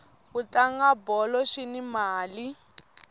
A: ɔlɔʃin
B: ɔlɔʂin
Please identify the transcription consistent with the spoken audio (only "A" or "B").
A